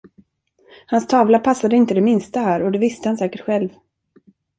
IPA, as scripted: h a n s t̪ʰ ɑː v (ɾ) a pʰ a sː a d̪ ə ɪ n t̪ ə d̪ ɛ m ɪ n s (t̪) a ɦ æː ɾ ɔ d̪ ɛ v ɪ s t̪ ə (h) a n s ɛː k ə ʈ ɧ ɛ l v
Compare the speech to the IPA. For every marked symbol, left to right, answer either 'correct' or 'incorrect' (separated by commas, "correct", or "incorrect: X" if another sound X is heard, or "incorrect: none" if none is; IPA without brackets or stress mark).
incorrect: l, correct, correct